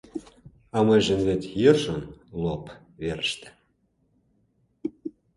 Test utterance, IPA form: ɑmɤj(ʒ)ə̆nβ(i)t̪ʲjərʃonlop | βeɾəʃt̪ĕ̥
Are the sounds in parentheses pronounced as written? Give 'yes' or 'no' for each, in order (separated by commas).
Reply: yes, no